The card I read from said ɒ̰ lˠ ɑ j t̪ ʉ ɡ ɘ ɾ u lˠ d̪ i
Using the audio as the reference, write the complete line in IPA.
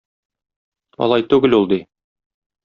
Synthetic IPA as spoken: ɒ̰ lˠ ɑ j t̪ ʉ ɡ ɘ l u lˠ d̪ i